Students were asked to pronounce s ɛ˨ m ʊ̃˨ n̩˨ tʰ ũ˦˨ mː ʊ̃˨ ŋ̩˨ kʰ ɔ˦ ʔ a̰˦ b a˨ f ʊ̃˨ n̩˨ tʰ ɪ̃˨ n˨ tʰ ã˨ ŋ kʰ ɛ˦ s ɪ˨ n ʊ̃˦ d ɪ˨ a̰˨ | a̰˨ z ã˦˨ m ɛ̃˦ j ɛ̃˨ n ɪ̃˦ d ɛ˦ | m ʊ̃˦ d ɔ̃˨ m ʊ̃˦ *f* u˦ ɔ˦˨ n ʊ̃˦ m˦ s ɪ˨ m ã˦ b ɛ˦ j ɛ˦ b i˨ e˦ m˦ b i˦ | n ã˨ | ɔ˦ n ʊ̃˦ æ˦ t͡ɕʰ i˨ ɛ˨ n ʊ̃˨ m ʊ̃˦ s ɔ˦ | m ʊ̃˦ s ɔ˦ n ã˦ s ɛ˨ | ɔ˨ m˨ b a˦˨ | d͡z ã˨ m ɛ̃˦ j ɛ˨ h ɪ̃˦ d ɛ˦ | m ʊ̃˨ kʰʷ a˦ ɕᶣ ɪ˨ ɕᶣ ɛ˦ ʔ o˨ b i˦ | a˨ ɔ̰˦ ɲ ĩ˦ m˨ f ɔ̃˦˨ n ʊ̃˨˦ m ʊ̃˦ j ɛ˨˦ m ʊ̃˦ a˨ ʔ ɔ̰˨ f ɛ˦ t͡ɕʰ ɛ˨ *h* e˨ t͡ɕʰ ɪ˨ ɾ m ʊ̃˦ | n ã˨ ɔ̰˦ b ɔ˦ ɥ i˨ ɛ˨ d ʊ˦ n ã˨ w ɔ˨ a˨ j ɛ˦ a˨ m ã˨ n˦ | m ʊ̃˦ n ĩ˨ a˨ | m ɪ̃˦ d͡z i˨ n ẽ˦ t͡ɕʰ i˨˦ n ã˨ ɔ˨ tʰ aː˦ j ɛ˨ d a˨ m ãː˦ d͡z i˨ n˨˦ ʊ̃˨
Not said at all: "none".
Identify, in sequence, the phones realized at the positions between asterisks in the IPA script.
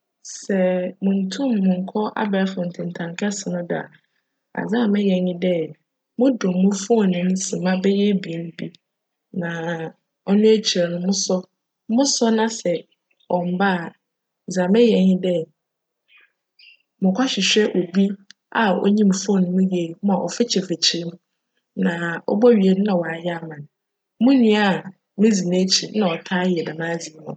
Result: f, f

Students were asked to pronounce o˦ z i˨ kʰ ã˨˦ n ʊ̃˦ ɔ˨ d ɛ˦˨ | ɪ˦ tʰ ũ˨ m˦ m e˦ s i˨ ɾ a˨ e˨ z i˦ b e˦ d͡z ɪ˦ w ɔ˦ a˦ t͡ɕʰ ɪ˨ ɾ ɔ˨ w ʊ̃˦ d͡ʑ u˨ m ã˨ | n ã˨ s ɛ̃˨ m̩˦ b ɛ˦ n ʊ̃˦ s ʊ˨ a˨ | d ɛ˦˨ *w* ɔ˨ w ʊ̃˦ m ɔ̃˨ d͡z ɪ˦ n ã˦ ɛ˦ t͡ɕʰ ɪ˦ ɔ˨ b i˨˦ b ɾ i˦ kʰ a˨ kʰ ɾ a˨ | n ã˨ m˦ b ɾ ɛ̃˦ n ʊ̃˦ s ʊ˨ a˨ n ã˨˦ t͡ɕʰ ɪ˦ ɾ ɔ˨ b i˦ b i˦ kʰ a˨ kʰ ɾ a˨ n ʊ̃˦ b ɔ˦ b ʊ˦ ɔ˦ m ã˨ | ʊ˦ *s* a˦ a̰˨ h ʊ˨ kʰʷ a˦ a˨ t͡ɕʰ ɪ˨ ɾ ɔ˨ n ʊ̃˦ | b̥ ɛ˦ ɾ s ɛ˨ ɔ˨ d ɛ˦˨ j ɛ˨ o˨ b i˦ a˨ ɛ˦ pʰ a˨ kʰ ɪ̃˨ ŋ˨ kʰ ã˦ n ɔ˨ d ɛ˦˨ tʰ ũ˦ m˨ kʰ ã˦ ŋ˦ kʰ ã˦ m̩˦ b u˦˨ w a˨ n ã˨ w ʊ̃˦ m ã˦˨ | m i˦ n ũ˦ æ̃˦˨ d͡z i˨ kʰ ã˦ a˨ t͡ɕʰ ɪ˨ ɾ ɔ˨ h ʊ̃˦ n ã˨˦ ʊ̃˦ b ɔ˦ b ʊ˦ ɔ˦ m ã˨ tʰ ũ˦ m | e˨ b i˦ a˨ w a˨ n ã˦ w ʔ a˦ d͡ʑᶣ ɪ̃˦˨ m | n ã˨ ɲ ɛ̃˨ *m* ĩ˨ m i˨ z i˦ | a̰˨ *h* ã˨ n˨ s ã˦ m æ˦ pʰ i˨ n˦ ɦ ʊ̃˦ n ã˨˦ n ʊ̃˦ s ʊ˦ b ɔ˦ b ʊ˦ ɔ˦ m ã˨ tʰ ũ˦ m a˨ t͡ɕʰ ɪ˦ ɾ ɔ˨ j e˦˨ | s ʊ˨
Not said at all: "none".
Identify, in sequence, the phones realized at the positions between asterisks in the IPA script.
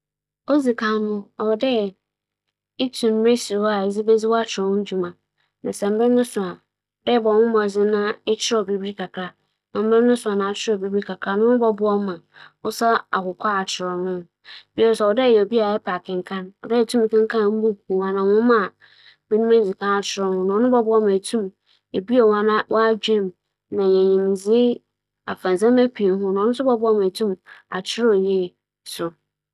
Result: b, s, ɲ, f

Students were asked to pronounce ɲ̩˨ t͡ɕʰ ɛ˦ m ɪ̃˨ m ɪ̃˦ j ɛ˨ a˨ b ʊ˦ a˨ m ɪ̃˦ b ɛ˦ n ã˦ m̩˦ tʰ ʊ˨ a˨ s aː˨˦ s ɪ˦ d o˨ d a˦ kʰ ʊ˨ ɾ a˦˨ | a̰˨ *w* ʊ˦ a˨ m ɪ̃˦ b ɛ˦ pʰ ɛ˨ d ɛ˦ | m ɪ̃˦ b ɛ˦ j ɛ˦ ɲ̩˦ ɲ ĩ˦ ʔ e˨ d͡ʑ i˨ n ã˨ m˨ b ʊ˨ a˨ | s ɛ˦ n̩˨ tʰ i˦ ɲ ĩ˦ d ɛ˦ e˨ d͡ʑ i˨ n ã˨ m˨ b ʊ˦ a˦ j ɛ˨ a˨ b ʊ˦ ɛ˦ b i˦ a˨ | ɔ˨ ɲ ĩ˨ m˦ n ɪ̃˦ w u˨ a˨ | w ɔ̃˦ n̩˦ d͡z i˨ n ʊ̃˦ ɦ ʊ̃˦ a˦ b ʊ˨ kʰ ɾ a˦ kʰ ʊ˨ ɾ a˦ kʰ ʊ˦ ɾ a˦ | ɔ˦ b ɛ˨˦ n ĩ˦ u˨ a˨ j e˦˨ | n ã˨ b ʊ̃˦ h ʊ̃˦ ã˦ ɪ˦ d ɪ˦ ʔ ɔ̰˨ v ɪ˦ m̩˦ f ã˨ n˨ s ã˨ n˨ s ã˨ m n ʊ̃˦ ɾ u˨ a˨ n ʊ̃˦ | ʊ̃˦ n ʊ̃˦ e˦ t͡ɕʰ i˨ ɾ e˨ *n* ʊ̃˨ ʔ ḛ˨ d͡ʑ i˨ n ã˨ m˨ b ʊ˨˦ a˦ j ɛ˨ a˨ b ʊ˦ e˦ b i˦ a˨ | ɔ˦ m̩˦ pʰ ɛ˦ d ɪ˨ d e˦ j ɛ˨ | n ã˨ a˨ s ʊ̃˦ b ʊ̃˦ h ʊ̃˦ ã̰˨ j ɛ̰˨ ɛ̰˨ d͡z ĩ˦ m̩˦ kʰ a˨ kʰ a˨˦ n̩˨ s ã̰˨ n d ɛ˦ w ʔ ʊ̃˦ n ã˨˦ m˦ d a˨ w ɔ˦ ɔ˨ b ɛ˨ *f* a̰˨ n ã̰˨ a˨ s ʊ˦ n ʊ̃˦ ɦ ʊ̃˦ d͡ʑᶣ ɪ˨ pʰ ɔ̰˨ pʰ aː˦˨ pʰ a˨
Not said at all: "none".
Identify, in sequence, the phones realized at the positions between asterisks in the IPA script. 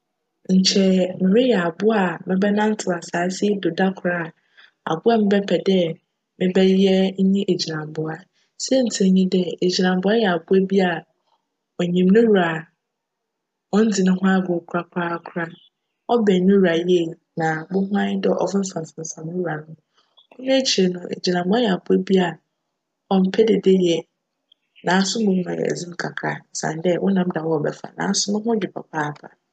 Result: b, n, f

